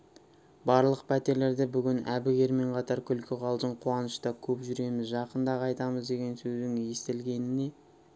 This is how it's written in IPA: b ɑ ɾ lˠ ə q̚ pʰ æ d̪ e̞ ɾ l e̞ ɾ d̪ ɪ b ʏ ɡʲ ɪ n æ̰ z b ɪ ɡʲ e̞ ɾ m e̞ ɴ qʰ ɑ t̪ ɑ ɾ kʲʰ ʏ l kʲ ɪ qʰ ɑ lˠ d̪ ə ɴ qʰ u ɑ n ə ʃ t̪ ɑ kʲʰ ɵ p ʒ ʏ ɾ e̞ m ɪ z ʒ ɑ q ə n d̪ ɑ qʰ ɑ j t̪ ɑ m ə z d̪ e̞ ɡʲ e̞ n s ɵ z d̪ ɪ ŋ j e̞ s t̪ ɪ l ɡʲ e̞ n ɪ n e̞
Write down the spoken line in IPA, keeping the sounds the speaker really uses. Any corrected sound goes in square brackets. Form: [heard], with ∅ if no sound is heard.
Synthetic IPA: b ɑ ɾ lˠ ə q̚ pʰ æ [t̪] e̞ ɾ l e̞ ɾ d̪ ɪ b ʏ ɡʲ ɪ n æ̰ [∅] b ɪ ɡʲ e̞ ɾ m e̞ ɴ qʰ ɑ t̪ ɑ ɾ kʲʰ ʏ l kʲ ɪ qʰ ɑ lˠ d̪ ə ɴ qʰ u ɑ n ə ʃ t̪ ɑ kʲʰ ɵ p ʒ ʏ ɾ e̞ m ɪ z ʒ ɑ q ə n d̪ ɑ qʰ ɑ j t̪ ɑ m ə z d̪ e̞ ɡʲ e̞ n s ɵ z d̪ ɪ ŋ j e̞ s t̪ ɪ l ɡʲ e̞ n ɪ n e̞